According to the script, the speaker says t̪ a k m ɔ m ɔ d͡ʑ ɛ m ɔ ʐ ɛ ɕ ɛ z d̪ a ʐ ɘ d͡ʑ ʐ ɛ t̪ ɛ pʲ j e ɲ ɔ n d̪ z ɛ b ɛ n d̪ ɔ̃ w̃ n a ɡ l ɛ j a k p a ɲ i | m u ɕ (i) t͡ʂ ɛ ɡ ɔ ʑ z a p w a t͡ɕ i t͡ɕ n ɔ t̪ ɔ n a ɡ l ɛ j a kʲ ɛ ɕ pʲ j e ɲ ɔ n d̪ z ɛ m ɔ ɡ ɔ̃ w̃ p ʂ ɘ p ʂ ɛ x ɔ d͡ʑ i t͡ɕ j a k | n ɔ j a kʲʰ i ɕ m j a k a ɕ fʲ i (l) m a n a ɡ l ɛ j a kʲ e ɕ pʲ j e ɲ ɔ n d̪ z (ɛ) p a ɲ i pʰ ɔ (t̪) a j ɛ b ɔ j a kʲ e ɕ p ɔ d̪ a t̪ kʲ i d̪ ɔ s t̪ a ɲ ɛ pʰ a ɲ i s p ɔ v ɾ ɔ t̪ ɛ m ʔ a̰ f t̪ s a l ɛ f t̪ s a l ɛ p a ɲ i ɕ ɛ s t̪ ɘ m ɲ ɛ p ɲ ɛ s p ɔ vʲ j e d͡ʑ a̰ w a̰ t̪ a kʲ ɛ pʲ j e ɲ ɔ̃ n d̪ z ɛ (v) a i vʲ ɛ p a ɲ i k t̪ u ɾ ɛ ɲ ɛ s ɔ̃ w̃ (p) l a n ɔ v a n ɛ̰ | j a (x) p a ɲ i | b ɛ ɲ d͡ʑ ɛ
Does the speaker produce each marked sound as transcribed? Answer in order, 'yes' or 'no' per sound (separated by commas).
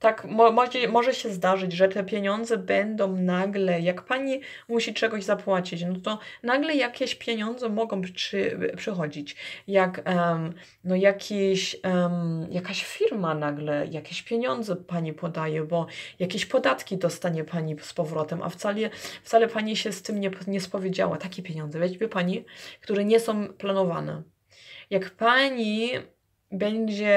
yes, no, yes, no, yes, yes, no